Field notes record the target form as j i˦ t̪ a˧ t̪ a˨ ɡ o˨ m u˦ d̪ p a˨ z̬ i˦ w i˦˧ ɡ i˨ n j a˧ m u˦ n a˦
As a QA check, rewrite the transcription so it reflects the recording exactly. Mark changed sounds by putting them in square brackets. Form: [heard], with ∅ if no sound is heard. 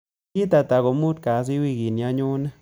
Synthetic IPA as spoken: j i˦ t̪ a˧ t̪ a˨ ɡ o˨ m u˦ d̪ [k] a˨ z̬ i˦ w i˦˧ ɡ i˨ n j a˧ [ɲ] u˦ n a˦